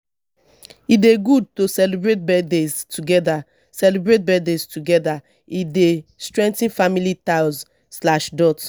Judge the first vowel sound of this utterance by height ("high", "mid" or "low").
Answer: high